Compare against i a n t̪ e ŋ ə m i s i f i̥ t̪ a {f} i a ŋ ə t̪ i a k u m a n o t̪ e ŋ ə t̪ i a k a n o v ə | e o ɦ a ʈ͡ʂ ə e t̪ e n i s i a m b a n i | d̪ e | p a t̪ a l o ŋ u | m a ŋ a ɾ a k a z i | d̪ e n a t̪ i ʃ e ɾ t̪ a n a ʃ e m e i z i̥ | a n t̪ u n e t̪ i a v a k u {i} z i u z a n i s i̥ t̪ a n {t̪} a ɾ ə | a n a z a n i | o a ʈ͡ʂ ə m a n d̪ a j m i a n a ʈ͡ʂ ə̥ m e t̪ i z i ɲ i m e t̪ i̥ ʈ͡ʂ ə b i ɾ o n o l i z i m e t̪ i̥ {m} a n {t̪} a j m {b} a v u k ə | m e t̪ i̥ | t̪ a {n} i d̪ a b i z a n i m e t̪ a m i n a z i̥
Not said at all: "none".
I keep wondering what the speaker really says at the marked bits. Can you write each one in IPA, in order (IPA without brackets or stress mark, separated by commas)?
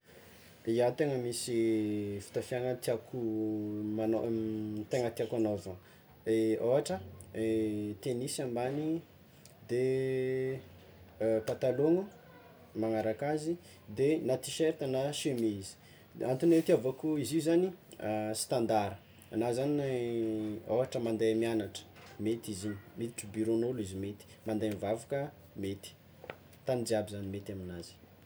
f, i, d̪, m, d̪, v, n